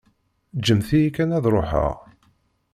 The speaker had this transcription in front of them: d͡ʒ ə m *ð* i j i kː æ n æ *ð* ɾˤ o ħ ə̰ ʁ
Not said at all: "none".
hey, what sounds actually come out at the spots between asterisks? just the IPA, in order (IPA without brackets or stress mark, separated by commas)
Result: θ, ð